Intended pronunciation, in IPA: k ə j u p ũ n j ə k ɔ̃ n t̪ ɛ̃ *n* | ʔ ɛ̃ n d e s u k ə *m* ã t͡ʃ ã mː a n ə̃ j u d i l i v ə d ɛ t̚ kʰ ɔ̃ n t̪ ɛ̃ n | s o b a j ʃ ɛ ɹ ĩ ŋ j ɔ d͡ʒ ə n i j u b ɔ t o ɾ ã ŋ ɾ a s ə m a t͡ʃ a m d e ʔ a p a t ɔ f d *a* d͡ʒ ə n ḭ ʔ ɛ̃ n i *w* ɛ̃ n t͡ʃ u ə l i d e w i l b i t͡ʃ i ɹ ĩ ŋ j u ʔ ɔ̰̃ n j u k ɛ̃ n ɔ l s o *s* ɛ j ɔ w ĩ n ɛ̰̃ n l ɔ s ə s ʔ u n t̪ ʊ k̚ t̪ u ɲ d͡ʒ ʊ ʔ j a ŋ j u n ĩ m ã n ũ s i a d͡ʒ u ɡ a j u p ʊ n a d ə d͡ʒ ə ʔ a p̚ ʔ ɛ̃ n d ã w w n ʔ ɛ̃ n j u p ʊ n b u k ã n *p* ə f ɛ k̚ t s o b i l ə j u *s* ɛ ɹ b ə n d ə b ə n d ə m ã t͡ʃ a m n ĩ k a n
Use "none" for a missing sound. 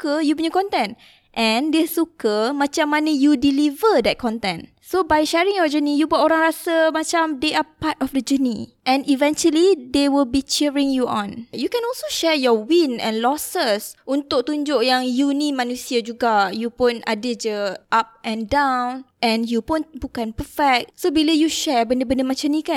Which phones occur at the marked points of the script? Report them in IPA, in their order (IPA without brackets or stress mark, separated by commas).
n, m, ə, v, ʃ, p, ʃ